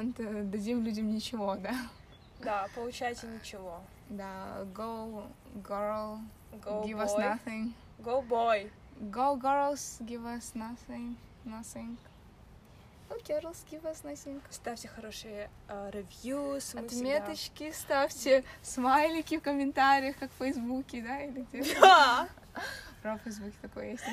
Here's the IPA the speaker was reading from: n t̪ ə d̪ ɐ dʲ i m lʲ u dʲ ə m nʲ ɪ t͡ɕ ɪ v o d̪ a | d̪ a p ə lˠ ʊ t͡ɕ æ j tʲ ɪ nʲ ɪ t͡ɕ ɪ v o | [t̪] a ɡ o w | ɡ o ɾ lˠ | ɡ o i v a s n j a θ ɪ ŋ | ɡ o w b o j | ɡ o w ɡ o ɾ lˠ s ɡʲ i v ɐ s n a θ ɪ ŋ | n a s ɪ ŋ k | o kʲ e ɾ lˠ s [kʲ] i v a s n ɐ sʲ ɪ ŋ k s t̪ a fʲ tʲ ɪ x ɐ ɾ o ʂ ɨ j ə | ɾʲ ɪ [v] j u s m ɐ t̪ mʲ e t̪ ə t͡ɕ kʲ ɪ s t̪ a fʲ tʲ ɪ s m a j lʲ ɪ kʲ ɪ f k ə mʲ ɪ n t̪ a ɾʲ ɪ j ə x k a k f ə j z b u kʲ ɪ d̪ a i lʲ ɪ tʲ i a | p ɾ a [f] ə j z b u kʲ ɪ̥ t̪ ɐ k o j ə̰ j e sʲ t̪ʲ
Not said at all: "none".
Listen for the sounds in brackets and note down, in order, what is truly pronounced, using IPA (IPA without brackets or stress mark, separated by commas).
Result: d̪, ɡʲ, v, f